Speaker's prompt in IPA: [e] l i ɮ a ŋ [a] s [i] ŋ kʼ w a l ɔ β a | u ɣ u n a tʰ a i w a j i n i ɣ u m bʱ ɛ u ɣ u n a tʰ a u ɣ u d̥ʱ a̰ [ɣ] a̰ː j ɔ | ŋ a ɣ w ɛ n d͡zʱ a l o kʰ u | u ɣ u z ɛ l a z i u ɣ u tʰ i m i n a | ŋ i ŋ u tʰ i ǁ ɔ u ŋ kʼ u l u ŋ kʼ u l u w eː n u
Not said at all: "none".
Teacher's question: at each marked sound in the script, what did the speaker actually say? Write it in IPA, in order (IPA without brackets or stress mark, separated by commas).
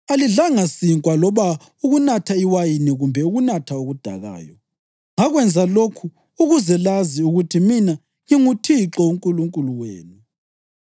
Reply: a, a, i, ɣ